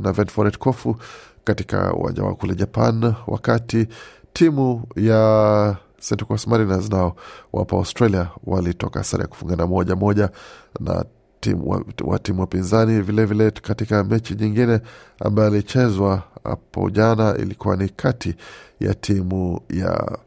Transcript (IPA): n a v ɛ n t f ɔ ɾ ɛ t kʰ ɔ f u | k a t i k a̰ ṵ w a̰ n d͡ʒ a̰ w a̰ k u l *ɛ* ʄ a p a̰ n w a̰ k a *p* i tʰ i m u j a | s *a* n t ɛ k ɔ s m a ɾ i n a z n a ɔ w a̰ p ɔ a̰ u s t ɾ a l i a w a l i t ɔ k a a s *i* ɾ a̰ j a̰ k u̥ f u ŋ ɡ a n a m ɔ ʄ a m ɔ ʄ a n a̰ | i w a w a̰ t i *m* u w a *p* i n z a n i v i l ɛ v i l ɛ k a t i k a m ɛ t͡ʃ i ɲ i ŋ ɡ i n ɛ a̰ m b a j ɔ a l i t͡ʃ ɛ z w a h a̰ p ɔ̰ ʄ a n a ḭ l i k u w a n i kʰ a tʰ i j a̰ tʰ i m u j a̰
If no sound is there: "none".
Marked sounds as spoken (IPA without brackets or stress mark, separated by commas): ɛ, t, ɛ, a, m, p